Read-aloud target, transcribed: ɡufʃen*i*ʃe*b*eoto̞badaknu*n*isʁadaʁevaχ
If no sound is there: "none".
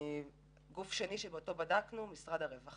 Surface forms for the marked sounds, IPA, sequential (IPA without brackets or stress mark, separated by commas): i, b, m